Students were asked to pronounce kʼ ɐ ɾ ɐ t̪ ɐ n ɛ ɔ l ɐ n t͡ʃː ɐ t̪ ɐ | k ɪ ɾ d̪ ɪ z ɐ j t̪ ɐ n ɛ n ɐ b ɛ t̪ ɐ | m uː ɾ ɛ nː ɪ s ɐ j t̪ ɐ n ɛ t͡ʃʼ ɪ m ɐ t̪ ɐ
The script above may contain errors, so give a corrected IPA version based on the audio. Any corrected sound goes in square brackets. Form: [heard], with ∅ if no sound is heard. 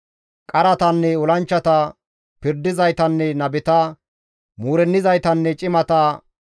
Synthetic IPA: kʼ ɐ ɾ ɐ t̪ ɐ [nː] ɛ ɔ l ɐ n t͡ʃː ɐ t̪ ɐ | [p] ɪ ɾ d̪ ɪ z ɐ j t̪ ɐ [nː] ɛ n ɐ b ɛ t̪ ɐ | m uː ɾ ɛ nː ɪ [z] ɐ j t̪ ɐ [nː] ɛ t͡ʃʼ ɪ m ɐ t̪ ɐ